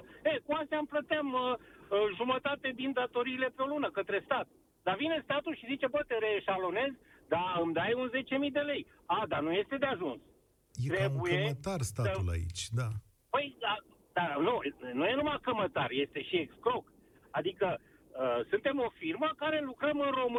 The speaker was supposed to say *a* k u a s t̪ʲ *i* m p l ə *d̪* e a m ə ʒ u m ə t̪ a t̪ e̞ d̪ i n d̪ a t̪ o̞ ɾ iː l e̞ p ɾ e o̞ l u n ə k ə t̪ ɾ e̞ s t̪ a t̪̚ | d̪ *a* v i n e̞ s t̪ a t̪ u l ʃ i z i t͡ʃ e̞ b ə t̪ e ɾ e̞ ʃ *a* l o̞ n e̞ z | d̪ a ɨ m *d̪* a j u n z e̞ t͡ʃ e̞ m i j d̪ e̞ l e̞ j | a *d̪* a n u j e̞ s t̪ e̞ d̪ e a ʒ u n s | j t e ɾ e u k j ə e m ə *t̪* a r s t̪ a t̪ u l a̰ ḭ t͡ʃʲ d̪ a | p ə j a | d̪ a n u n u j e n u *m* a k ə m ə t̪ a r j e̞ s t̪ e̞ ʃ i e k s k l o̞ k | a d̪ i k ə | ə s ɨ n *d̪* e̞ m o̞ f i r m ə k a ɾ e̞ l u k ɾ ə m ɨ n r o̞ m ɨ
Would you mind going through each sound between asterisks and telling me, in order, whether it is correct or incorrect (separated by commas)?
incorrect, incorrect, incorrect, correct, correct, correct, correct, correct, correct, incorrect